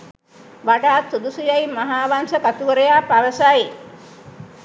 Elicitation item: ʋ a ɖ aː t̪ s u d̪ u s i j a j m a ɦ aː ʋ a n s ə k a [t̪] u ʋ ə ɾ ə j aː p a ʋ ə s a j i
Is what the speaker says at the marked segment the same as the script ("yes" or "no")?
yes